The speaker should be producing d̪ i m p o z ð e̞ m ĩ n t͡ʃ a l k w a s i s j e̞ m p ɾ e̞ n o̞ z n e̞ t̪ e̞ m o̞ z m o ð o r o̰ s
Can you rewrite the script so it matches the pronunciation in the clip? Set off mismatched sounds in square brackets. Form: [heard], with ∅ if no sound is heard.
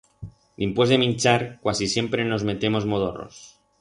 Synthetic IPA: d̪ i m p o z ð e̞ m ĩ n t͡ʃ a [ɾ] k w a s i s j e̞ m p ɾ e̞ n o̞ z [m] e̞ t̪ e̞ m o̞ z m o ð o r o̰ s